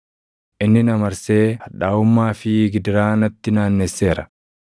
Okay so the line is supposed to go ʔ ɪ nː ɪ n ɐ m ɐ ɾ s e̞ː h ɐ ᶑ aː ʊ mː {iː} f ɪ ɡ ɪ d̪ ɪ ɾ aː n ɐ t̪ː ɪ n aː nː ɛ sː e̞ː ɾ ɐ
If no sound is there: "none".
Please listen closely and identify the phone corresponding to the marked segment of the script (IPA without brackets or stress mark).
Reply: aː